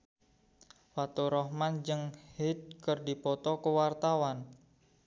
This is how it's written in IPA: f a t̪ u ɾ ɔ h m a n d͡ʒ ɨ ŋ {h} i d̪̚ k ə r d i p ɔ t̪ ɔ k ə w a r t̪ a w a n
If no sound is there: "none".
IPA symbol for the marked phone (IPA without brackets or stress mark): h